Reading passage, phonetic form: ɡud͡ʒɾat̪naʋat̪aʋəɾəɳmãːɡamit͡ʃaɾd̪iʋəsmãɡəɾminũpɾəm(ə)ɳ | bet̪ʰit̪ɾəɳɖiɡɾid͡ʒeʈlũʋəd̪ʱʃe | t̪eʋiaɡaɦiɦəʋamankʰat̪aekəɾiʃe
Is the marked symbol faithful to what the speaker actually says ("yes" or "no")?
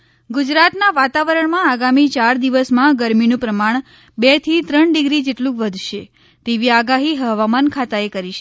no